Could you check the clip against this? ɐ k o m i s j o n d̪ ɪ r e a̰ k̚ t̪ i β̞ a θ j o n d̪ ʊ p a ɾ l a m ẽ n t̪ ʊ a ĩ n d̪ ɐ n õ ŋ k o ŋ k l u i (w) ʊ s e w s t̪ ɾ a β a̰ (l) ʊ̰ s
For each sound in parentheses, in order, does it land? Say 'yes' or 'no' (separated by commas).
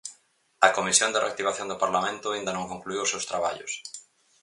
yes, no